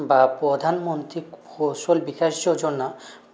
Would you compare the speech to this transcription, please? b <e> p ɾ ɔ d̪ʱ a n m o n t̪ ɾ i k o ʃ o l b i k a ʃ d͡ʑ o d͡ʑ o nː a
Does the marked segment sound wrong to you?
yes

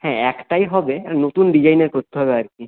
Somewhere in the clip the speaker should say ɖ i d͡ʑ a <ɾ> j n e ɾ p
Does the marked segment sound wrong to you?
yes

